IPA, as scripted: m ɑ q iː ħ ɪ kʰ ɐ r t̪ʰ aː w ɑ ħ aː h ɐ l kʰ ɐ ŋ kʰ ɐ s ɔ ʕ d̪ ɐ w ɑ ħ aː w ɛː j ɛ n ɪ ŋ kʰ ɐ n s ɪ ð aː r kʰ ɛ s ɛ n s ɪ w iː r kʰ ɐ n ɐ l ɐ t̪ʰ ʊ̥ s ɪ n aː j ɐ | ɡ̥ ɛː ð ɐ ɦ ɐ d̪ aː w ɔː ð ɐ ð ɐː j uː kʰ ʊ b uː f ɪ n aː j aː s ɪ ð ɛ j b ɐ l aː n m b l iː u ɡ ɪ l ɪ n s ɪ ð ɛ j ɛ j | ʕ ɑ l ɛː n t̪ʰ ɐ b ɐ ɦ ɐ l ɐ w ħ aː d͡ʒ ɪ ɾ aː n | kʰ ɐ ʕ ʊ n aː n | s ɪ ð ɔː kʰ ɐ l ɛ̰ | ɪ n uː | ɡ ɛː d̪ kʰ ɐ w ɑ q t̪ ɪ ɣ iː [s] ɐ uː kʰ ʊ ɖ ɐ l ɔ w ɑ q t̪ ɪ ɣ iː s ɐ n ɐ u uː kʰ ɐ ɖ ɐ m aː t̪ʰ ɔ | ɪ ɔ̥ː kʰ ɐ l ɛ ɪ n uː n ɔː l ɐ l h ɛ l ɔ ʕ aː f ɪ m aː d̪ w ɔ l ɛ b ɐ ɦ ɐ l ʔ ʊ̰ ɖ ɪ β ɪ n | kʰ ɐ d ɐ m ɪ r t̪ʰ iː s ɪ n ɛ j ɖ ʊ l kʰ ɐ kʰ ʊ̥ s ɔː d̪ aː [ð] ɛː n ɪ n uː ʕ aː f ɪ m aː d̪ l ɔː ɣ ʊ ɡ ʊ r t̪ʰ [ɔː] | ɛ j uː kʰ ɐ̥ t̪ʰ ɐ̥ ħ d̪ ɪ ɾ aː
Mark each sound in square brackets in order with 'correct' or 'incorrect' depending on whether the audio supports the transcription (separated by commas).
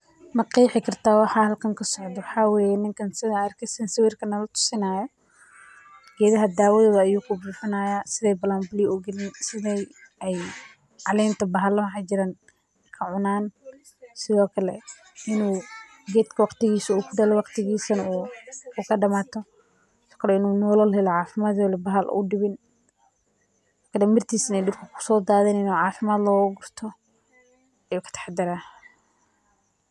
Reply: correct, correct, incorrect